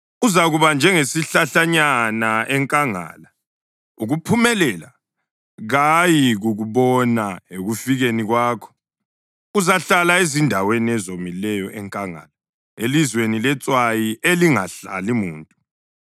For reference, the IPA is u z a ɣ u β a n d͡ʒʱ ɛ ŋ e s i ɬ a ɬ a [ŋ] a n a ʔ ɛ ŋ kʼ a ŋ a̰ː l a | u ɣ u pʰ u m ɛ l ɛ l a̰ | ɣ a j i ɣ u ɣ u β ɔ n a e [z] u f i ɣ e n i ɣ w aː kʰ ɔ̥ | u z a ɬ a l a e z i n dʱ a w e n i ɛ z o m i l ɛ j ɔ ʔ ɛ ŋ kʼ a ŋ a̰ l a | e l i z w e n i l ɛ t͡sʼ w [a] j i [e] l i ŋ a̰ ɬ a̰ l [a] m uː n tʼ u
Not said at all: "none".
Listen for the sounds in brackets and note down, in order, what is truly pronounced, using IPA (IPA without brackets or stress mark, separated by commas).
ɲ, ɣ, a, e, i